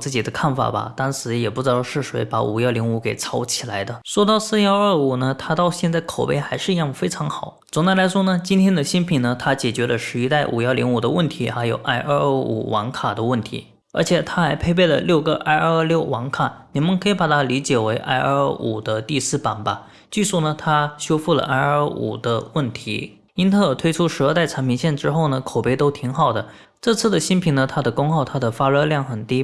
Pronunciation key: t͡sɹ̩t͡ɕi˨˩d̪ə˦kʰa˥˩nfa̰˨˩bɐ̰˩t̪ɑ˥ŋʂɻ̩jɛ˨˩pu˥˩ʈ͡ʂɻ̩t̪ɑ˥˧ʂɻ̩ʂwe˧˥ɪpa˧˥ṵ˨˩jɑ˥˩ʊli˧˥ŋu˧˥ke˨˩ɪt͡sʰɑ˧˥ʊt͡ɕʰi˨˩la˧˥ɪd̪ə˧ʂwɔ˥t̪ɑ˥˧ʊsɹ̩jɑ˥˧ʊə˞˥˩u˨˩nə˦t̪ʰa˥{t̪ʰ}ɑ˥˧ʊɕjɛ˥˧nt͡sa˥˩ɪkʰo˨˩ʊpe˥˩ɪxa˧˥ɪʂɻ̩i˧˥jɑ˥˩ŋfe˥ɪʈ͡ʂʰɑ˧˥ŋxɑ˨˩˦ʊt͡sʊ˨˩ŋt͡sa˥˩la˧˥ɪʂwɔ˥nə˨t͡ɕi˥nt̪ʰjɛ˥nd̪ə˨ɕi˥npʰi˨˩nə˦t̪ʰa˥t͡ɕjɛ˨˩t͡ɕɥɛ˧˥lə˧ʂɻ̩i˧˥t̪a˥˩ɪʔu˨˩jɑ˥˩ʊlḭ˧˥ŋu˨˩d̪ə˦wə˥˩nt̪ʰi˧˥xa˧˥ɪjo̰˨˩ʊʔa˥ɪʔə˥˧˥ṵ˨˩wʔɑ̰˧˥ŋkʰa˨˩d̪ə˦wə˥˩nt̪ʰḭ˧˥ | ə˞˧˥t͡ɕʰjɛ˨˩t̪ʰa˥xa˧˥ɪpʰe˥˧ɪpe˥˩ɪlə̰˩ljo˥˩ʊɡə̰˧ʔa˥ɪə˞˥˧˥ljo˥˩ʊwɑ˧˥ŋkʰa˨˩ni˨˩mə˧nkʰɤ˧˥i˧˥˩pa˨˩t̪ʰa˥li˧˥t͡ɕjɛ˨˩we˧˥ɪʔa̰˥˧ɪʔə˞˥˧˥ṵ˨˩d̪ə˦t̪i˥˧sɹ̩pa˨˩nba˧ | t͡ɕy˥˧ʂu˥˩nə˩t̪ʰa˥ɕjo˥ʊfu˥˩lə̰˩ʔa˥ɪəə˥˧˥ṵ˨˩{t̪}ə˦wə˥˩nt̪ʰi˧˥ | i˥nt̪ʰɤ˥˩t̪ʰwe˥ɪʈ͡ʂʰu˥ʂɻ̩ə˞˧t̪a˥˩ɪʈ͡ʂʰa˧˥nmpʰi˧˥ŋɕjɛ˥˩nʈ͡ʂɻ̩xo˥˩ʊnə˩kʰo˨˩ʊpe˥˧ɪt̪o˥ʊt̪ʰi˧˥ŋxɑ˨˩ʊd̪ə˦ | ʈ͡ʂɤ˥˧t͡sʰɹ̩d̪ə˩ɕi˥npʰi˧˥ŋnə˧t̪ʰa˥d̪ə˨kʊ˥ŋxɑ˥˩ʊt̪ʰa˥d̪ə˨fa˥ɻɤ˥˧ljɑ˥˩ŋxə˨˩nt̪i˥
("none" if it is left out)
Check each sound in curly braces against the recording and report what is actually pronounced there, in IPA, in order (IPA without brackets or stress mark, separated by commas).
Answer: t̪, d̪